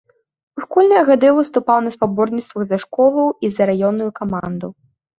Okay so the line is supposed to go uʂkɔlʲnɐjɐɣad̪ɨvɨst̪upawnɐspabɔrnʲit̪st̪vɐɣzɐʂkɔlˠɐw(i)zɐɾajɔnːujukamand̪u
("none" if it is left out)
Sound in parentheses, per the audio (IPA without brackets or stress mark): i